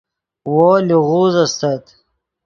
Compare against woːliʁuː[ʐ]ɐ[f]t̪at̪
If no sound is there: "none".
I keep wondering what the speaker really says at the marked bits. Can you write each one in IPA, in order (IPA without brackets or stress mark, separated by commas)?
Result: z, s